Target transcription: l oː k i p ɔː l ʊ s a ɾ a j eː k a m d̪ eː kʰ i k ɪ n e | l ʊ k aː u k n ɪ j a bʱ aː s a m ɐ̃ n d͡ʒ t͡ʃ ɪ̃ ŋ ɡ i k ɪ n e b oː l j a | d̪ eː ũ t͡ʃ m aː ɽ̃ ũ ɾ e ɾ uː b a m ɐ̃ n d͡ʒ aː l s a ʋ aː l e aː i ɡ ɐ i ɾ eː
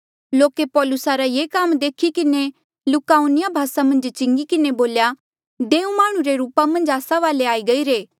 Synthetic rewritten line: l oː k e p ɔː l ʊ s a ɾ a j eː k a m d̪ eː kʰ i k ɪ n e | l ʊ k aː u n ɪ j a bʱ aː s a m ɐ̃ n d͡ʒ t͡ʃ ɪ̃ ŋ ɡ i k ɪ n e b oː l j a | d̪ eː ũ m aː ɽ̃ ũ ɾ e ɾ uː p a m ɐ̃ n d͡ʒ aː s a ʋ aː l e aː i ɡ ɐ i ɾ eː